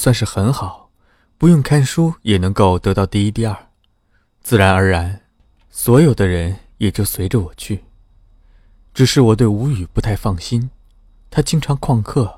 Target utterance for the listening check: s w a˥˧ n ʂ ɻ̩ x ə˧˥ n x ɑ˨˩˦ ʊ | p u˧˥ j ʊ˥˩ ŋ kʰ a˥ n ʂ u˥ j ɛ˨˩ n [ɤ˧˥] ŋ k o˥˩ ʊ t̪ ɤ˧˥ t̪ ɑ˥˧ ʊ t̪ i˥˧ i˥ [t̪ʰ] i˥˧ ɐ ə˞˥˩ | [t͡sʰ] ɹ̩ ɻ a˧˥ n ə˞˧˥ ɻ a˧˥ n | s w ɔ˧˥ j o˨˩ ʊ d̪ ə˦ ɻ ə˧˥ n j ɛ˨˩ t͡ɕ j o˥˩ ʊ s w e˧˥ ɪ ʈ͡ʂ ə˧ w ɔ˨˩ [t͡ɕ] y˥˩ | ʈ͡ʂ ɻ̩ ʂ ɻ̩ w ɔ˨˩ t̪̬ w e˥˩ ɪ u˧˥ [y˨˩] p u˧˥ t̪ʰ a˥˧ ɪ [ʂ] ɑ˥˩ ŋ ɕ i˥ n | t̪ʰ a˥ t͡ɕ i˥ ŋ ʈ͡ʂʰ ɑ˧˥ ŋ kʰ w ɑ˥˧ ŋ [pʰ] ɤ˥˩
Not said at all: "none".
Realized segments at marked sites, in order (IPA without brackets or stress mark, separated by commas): ɤ˧˥, t̪, t͡s, t͡ɕʰ, y˨˩, f, kʰ